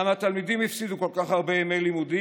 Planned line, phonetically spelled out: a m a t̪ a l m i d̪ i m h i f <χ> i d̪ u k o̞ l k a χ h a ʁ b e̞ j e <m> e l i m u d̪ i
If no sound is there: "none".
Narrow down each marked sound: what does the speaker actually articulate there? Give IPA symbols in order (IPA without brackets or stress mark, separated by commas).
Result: s, m